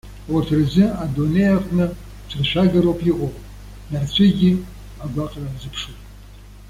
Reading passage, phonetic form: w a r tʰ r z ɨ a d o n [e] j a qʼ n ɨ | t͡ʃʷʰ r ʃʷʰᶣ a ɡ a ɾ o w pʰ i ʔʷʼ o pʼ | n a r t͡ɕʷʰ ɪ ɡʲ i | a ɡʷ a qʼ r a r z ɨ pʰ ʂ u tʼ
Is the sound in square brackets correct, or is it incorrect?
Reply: correct